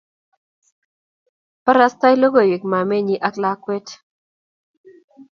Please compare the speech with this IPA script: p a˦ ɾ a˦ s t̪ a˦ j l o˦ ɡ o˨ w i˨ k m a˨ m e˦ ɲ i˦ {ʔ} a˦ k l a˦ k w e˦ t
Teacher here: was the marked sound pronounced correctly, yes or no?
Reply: yes